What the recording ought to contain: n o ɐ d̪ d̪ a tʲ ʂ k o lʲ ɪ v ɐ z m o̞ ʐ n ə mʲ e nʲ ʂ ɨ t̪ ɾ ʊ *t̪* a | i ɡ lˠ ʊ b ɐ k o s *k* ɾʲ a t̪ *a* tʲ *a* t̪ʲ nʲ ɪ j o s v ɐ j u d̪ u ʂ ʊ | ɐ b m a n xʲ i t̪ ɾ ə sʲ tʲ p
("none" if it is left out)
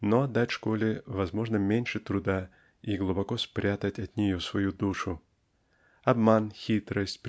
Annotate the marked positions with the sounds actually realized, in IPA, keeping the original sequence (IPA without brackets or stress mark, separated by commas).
d̪, p, ə, ɐ